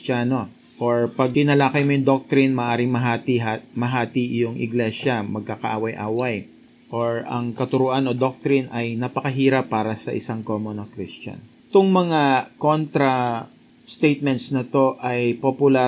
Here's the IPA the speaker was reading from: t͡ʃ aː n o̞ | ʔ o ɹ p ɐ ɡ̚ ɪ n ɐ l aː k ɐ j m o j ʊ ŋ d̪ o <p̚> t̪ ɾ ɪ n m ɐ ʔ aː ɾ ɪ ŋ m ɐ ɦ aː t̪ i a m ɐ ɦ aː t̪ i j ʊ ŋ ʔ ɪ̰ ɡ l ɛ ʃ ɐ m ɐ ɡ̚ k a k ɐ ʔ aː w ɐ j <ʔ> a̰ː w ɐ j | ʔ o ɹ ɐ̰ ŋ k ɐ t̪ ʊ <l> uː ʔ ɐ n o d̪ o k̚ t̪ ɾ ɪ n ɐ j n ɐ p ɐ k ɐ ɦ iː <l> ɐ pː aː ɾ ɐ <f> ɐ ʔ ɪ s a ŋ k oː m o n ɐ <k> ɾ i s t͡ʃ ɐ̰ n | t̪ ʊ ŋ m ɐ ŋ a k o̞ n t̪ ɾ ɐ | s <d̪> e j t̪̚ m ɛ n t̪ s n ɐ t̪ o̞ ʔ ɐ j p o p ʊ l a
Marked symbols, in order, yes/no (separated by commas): no, yes, no, no, no, yes, no